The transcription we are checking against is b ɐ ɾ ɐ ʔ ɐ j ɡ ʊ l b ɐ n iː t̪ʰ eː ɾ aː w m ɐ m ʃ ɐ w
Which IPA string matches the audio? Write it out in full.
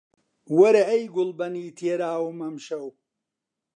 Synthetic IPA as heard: w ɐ ɾ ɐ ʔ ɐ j ɡ ʊ l b ɐ n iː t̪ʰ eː ɾ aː w m ɐ m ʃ ɐ w